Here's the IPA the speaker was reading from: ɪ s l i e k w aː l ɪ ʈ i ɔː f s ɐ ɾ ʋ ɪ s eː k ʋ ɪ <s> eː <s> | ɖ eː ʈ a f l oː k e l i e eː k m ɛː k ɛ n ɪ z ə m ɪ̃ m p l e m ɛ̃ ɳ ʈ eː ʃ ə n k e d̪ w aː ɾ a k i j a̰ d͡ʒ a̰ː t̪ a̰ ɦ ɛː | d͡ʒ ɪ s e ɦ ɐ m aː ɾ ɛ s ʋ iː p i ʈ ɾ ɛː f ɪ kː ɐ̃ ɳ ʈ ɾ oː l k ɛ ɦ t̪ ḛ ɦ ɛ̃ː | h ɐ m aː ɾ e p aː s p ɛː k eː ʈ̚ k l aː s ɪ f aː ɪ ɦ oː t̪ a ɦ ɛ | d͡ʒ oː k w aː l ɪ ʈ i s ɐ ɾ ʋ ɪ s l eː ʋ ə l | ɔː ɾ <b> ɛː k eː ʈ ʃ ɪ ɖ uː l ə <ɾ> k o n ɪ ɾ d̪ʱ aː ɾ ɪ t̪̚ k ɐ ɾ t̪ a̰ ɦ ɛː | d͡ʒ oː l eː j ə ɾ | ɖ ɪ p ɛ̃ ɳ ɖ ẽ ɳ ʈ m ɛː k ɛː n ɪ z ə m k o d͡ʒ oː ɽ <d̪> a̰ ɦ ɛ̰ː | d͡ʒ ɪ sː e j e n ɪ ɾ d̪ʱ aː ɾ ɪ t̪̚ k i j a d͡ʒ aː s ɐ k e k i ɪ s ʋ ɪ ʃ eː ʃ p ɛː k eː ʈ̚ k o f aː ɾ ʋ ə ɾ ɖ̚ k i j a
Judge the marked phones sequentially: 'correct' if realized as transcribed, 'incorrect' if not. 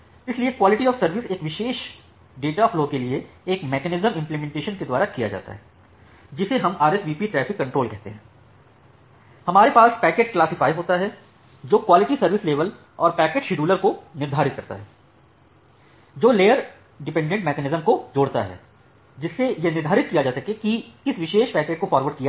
incorrect, incorrect, incorrect, correct, incorrect

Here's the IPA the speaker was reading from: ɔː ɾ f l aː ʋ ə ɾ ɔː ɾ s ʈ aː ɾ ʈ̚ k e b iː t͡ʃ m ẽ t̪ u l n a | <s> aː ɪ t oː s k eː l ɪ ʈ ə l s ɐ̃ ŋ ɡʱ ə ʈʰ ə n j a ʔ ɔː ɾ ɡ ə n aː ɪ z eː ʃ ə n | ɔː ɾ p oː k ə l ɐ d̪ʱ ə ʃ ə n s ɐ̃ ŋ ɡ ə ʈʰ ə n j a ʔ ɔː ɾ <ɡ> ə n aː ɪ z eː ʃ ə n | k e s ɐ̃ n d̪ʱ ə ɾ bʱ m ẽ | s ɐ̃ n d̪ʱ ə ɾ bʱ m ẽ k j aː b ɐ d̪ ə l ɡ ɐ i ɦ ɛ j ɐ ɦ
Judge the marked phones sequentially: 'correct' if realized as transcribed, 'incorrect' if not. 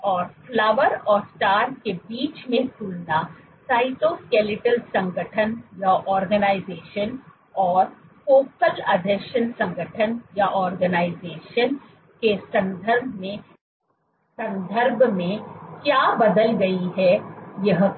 correct, correct

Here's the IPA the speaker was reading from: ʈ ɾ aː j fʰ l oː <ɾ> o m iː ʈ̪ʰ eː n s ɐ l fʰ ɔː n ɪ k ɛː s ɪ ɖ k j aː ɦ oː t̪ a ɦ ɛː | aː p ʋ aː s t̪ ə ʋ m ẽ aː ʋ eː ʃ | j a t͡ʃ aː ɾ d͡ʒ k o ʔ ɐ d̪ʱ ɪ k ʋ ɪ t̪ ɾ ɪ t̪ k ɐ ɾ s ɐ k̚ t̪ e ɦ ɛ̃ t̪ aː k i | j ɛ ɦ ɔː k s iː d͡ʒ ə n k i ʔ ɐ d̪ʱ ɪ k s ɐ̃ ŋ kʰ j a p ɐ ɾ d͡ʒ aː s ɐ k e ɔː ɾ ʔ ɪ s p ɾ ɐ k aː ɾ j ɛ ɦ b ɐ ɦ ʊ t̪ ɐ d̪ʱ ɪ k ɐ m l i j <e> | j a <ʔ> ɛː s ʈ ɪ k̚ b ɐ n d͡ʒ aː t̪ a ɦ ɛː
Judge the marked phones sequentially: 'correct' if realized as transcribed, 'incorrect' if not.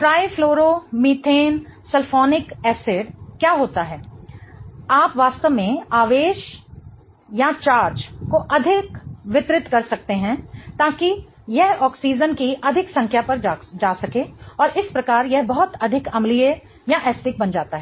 correct, correct, correct

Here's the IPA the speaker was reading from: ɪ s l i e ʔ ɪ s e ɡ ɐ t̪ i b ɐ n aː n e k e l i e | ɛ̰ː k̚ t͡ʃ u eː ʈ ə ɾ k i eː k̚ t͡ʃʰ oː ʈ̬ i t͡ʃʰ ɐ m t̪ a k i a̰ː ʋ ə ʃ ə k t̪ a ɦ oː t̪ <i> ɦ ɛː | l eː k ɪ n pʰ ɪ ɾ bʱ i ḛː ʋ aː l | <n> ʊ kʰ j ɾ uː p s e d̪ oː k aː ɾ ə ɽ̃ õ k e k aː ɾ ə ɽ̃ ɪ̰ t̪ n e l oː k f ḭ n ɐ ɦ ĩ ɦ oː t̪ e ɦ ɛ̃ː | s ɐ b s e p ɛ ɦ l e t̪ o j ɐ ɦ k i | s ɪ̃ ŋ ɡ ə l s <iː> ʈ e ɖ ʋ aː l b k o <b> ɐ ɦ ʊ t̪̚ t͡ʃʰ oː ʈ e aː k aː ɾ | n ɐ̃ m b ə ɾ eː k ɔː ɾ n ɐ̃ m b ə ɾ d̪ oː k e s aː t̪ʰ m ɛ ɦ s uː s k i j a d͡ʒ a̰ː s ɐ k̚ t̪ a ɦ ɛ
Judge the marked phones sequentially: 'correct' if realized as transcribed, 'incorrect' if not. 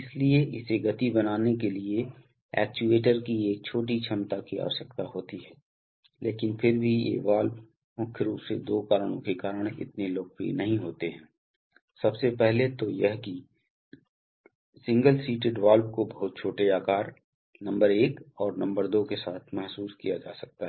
correct, incorrect, correct, correct

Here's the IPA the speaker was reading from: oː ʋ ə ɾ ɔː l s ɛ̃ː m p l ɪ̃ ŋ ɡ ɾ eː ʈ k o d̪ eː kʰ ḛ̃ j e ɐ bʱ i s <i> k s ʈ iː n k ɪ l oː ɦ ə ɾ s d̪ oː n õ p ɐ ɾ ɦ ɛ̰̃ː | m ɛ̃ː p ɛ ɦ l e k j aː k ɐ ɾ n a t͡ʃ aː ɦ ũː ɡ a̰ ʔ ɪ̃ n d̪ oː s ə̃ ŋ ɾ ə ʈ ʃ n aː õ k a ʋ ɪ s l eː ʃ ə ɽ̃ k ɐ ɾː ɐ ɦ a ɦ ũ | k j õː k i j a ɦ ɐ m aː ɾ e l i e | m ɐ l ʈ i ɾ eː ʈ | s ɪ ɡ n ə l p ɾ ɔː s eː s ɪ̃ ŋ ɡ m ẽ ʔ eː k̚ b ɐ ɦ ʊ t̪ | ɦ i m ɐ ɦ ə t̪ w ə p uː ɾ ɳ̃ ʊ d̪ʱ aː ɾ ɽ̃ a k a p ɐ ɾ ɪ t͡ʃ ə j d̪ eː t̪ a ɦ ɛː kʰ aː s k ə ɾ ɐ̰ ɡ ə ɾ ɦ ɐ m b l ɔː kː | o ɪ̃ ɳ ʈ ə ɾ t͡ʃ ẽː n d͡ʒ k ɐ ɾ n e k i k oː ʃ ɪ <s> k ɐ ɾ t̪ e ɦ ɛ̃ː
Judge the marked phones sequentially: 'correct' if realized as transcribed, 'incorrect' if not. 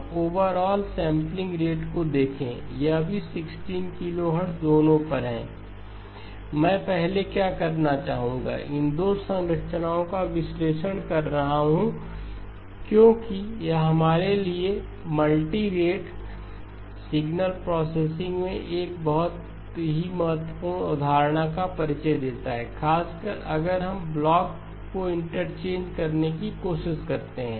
incorrect, incorrect

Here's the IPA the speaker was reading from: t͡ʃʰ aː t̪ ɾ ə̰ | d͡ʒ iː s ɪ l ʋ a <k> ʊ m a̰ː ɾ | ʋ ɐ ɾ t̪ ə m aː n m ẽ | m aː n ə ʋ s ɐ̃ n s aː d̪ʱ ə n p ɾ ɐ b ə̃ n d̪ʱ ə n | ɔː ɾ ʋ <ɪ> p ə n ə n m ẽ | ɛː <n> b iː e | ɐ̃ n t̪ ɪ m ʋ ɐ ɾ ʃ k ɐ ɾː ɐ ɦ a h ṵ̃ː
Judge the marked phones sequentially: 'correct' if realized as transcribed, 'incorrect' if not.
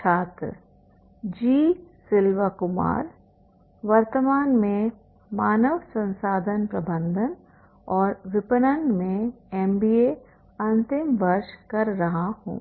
correct, correct, incorrect

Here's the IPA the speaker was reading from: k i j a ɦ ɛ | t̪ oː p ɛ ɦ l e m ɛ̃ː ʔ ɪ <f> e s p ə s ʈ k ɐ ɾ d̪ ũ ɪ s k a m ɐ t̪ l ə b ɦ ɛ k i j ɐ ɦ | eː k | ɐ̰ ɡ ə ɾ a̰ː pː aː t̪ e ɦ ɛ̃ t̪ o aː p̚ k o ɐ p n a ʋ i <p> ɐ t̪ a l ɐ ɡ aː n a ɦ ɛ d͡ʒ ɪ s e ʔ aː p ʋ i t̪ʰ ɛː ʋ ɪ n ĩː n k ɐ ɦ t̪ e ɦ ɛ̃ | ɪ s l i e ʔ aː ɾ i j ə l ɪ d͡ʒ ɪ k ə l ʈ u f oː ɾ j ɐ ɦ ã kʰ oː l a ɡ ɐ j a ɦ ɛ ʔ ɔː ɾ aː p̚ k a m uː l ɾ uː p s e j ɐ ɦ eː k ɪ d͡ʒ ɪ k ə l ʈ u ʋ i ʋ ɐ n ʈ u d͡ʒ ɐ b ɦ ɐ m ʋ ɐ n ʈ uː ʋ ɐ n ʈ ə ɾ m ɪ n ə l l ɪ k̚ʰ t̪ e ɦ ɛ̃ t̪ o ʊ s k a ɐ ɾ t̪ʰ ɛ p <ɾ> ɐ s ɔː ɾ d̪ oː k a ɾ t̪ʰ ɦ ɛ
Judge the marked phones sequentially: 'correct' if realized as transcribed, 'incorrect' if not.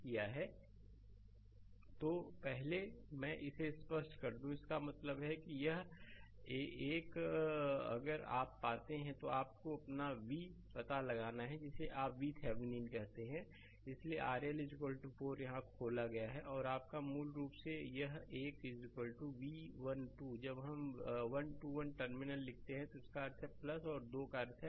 incorrect, correct, incorrect

